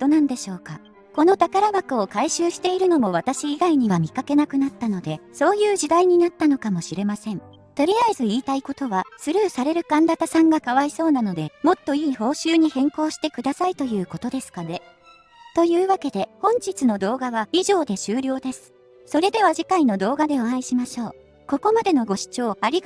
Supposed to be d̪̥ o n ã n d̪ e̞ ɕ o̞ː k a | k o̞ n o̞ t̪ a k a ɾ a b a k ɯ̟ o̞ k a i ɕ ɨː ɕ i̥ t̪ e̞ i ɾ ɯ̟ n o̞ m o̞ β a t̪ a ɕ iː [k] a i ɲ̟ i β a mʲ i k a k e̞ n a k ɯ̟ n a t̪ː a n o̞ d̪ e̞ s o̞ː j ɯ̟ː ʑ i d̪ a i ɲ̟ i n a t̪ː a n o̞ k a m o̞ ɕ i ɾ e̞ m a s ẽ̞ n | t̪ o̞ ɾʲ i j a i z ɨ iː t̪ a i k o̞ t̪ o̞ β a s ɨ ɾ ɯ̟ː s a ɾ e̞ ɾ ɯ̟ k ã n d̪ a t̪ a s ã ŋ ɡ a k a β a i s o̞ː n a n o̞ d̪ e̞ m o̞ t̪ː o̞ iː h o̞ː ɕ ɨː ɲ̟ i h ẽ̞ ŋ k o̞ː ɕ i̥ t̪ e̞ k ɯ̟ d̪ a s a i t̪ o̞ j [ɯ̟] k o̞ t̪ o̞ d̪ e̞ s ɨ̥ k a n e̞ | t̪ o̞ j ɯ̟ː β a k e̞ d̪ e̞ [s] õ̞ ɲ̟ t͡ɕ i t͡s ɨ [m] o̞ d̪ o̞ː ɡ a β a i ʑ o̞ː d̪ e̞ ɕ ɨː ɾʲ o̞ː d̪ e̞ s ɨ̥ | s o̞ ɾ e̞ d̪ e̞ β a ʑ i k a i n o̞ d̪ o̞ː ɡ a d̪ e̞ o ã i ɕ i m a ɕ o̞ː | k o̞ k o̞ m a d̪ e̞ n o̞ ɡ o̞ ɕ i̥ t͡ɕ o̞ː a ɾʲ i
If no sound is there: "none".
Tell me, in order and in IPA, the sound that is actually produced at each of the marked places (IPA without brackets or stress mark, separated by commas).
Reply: ɡ, ɯ̟ː, h, n